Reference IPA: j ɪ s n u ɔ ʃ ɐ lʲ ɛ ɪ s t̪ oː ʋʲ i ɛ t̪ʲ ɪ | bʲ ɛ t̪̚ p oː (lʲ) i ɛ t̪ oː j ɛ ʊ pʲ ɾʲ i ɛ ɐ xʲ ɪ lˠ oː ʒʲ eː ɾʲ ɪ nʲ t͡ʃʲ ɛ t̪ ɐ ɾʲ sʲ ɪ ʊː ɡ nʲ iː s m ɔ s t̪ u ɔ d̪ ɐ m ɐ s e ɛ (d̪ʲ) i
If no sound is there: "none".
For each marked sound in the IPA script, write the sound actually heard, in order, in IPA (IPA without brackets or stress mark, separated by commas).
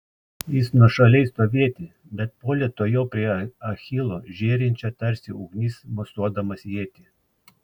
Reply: lʲ, t̪ʲ